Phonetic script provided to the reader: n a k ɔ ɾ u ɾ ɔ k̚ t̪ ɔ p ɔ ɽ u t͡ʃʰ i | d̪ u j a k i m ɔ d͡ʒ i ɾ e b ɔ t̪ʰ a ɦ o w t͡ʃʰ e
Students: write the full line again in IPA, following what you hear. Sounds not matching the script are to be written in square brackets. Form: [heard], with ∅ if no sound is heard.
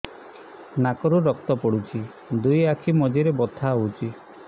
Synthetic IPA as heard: n a k ɔ ɾ u ɾ ɔ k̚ t̪ ɔ p ɔ ɽ u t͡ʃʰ i | d̪ u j a [kʰ] i m ɔ d͡ʒ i ɾ e b ɔ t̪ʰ a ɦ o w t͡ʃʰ [i]